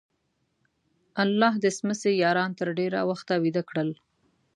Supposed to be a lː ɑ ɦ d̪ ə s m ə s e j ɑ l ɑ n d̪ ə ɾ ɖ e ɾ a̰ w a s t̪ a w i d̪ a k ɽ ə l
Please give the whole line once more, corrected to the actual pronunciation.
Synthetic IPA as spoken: a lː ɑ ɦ d̪ ə s m ə s e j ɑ ɾ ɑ n t̪ ə ɾ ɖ e ɾ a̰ w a x t̪ a w i d̪ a k ɽ ə l